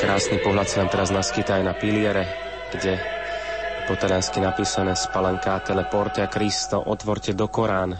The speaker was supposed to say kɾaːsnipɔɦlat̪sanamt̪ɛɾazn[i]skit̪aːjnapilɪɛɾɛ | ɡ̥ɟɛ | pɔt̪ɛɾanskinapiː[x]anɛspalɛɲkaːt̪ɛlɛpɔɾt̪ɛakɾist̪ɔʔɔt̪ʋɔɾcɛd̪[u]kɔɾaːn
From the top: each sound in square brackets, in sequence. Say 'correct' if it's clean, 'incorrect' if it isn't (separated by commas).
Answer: incorrect, incorrect, incorrect